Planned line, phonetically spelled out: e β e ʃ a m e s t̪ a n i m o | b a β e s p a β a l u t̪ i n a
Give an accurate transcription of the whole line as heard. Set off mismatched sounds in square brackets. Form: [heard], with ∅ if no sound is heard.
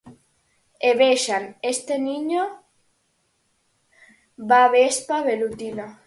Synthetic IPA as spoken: e β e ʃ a [n] e s t̪ [e] n i [ɲ] o | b a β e s p a β [e] l u t̪ i n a